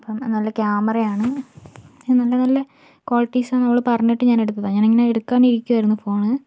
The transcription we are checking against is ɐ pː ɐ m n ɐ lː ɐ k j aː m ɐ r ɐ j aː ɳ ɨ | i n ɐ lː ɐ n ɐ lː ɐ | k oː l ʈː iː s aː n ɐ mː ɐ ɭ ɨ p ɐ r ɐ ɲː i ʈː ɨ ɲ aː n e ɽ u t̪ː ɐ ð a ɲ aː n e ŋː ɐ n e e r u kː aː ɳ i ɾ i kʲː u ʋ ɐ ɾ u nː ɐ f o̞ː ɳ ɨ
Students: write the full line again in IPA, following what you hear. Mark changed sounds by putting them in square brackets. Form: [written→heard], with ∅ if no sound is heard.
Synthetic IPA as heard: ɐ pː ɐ m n ɐ lː ɐ k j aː m ɐ r ɐ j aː ɳ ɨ | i n ɐ lː ɐ n ɐ lː ɐ | k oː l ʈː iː s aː n ɐ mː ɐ ɭ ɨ p ɐ r ɐ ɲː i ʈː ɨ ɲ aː n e ɽ u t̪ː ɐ ð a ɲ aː n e ŋː ɐ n e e [r→ɽ] u kː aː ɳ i ɾ i kʲː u ʋ ɐ ɾ u nː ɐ f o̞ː ɳ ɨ